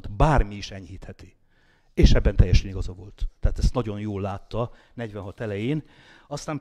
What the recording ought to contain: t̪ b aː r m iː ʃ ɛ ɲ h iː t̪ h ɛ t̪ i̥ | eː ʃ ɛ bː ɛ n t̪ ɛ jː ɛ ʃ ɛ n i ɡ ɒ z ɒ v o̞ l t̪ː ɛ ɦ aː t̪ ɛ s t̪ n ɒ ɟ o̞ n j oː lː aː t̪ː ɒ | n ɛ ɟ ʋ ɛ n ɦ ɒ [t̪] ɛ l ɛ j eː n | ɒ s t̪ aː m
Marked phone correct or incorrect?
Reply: correct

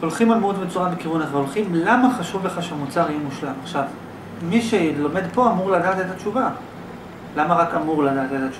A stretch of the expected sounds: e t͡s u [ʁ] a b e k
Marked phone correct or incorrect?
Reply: correct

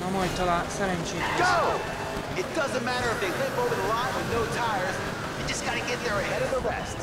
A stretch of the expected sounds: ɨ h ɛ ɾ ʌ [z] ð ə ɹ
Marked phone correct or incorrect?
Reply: incorrect: v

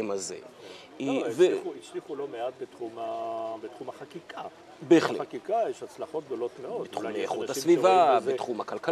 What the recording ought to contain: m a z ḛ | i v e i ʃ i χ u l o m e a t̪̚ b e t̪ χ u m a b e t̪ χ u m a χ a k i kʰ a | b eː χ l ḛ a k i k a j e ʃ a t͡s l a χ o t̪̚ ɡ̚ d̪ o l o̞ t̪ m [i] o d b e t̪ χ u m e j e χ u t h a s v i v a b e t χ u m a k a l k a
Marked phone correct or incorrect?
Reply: incorrect: e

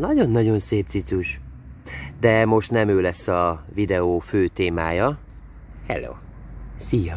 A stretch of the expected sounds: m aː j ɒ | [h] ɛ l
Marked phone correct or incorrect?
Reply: correct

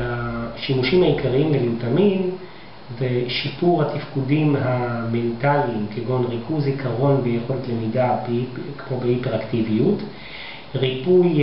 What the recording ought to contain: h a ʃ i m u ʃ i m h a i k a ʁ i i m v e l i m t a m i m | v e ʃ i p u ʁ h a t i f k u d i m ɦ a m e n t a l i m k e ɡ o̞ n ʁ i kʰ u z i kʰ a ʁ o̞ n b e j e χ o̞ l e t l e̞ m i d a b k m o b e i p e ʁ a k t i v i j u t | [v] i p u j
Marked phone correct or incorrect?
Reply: incorrect: ʁ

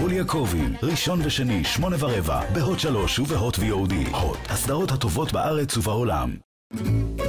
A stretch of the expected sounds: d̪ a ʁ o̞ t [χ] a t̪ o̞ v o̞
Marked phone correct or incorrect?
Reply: incorrect: h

